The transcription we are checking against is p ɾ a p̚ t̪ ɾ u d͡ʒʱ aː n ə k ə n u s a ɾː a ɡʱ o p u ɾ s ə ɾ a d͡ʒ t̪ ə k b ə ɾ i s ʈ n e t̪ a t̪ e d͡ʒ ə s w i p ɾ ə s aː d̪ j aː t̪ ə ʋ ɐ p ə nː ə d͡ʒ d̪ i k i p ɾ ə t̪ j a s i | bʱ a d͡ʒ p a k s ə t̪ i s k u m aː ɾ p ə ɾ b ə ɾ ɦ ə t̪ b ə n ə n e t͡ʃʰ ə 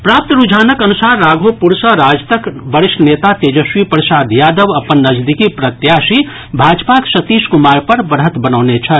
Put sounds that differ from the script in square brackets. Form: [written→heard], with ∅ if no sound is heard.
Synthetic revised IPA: p ɾ a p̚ t̪ ɾ u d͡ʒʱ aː n ə k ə n u s a ɾː a ɡʱ o p u ɾ s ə ɾ a d͡ʒ t̪ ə k b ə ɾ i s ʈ n e t̪ a t̪ e d͡ʒ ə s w i p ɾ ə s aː d̪ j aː [t̪→d̪] ə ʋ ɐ p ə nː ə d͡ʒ d̪ i k i p ɾ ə t̪ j a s i | bʱ a d͡ʒ p a k s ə t̪ i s k u m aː ɾ p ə ɾ b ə ɾ ɦ ə t̪ b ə n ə n e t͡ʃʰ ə